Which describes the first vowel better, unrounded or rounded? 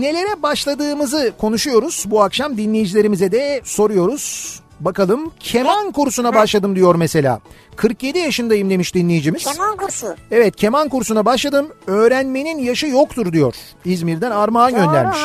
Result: unrounded